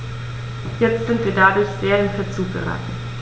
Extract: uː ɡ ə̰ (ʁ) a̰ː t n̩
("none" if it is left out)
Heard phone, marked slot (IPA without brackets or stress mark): ʁ